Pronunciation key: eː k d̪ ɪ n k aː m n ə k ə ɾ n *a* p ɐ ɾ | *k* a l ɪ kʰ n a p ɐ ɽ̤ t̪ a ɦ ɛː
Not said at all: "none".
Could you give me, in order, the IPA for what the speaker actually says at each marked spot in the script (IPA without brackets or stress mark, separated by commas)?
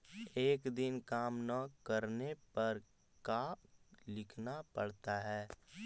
e, k